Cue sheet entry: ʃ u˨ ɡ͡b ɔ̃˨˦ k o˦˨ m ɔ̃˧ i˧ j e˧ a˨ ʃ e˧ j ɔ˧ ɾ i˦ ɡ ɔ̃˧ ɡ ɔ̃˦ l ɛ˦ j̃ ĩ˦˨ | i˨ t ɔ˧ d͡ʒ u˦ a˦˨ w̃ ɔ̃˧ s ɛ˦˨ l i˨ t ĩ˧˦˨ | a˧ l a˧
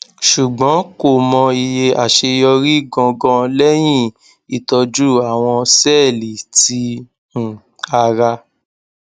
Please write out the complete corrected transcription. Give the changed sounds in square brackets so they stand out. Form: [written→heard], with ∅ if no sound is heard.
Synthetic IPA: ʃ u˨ ɡ͡b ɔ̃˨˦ k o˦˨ m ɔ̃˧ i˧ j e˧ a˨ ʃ e˧ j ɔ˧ ɾ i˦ ɡ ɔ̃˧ ɡ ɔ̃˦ l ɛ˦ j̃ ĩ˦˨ | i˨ t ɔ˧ d͡ʒ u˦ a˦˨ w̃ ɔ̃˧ s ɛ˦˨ l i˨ t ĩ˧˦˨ | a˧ [l→ɾ] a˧